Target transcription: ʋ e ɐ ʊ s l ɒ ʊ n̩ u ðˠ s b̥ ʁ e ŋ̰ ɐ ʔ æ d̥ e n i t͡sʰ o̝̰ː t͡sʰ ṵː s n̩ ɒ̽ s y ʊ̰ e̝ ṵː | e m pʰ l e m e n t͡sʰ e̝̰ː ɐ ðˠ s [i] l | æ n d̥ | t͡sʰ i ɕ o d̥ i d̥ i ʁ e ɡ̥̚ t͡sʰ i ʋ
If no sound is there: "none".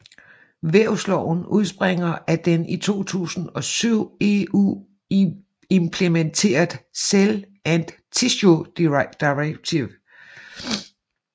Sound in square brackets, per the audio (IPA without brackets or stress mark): e